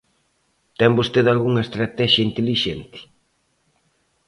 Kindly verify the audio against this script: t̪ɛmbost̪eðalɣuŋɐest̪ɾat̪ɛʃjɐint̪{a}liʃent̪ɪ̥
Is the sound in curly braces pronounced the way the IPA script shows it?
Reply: no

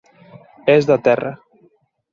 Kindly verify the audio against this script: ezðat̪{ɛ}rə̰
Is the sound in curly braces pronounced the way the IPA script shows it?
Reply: yes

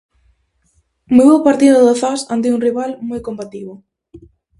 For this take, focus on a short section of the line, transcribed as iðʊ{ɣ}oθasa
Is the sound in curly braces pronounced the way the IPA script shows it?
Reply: no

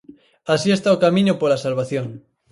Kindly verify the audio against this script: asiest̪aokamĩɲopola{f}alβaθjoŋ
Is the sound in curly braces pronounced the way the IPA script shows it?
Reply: no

